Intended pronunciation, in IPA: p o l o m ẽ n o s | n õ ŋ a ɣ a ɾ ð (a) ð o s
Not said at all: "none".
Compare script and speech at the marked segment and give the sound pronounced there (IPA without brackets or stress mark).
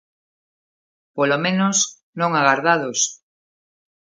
a